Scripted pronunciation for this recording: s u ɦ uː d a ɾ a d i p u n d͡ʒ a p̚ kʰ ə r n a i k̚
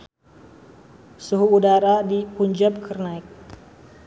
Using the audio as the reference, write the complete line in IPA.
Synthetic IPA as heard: s u ɦ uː d a ɾ a d i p u ɲ d͡ʒ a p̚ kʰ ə r n a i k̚